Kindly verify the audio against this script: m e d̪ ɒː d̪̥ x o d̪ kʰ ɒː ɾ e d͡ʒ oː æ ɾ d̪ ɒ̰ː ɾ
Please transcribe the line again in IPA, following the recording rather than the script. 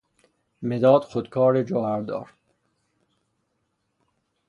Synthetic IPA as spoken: m e d̪ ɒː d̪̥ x o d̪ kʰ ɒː ɾ e d͡ʒ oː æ ɾ d̪ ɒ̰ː ɾ

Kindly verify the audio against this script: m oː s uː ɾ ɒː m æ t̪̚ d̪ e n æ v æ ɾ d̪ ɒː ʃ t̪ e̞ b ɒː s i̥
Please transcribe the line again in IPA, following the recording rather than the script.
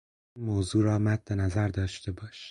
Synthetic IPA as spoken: m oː z uː ɾ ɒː m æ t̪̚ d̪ e n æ z æ ɾ d̪ ɒː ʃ t̪ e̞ b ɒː ʃ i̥

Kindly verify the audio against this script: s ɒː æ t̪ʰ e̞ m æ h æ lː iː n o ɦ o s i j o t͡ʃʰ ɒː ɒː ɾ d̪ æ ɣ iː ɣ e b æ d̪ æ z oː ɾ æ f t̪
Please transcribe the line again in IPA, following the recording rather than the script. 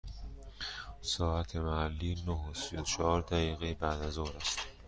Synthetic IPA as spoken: s ɒː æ t̪ʰ e̞ m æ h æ lː iː n o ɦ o s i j o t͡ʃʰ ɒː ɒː ɾ d̪ æ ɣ iː ɣ e b æ d̪ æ z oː ɾ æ s t̪

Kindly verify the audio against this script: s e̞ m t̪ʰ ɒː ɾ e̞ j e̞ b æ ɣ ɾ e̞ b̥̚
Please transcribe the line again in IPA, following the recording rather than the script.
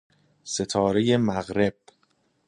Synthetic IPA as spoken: s e̞ t̪ʰ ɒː ɾ e̞ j e̞ m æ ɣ ɾ e̞ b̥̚

